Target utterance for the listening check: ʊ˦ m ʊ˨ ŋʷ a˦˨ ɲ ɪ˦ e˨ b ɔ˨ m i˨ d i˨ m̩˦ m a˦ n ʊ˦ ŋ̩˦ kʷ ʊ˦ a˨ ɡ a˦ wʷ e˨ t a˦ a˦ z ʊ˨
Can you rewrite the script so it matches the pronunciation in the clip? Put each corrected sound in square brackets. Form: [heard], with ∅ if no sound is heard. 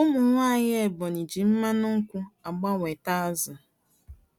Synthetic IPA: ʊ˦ m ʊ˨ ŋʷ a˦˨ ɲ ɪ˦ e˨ b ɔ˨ [n] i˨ [d͡ʒ] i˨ m̩˦ m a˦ n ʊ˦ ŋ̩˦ kʷ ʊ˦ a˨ [ɡ͡b] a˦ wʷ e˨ t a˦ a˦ z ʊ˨